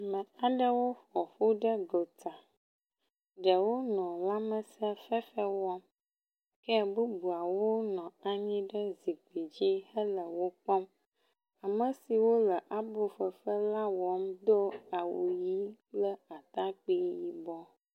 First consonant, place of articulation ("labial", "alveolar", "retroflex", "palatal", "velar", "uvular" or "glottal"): labial